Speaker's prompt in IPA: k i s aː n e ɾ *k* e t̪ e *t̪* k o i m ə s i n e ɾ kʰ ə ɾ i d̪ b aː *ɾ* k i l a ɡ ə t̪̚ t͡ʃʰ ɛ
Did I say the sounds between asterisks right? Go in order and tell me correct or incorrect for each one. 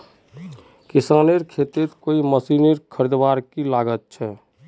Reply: incorrect: kʰ, correct, correct

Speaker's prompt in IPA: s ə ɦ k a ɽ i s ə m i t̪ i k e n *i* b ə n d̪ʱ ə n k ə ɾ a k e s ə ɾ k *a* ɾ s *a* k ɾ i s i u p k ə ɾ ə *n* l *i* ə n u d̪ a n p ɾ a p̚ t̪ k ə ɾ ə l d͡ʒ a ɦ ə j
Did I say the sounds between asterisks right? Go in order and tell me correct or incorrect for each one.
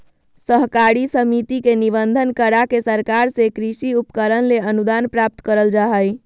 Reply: correct, correct, incorrect: e, correct, incorrect: e

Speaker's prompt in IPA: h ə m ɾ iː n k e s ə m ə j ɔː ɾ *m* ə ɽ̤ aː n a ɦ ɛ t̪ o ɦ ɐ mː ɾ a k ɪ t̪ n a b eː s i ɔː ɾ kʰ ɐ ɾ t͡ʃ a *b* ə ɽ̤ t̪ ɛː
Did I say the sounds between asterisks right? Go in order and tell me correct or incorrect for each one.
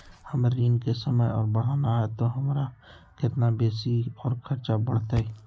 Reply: incorrect: b, correct

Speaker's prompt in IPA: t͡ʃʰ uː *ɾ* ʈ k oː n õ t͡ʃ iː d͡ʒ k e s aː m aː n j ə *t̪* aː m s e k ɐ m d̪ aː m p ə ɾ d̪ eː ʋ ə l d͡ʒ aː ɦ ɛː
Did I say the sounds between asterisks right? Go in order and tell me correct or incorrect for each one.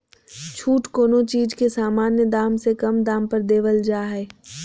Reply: incorrect: none, incorrect: d̪

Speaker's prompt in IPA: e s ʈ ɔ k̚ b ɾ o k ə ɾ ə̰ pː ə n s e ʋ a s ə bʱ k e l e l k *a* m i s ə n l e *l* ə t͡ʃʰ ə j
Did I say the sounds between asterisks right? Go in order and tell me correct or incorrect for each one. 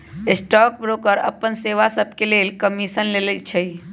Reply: incorrect: ə, correct

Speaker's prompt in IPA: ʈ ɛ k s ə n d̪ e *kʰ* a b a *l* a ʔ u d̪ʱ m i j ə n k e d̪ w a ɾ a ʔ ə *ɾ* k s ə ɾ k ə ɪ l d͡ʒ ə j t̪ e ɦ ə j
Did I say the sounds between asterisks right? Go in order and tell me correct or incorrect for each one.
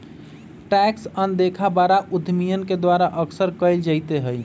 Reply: correct, incorrect: ɾ, incorrect: none

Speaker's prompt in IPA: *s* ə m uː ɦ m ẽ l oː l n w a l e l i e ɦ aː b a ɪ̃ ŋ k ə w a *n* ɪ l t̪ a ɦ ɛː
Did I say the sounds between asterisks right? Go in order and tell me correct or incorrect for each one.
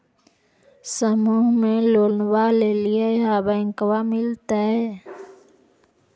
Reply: correct, incorrect: m

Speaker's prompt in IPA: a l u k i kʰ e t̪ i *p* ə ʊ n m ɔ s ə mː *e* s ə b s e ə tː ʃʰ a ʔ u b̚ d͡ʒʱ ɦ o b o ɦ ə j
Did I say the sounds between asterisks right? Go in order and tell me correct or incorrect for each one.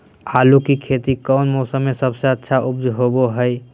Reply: incorrect: k, correct

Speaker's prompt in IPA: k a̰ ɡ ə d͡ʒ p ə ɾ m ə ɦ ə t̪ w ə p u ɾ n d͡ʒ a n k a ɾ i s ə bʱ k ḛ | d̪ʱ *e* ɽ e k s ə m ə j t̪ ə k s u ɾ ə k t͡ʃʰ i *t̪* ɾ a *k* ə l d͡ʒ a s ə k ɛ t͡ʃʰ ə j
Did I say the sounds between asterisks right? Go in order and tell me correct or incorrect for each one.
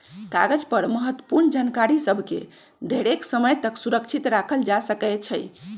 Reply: correct, correct, incorrect: kʰ

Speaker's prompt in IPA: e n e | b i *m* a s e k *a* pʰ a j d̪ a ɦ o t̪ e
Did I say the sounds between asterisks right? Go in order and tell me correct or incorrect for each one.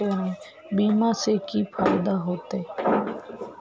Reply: correct, incorrect: i

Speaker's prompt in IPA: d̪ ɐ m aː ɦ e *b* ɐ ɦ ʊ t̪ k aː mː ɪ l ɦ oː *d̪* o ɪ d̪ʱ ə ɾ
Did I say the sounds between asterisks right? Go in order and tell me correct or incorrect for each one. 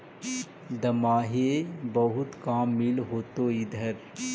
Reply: correct, incorrect: t̪

